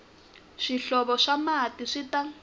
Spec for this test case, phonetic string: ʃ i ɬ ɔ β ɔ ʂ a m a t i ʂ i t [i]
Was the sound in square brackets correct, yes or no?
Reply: no